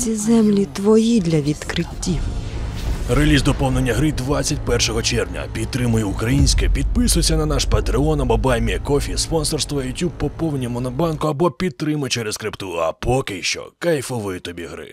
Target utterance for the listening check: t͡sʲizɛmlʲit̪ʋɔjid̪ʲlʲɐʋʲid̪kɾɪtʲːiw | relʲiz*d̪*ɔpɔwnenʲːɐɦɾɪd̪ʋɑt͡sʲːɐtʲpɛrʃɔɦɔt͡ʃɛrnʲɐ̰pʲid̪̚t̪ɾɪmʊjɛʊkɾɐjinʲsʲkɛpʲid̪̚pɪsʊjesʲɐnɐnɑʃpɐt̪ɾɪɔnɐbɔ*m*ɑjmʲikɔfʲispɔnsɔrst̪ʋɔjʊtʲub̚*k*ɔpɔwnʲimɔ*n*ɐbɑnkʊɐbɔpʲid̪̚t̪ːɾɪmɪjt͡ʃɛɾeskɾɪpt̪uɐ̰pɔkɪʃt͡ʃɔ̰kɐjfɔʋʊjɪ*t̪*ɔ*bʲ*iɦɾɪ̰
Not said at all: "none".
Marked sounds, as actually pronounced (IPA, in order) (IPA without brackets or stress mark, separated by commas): d̪, b, p, n, t̪, bʲ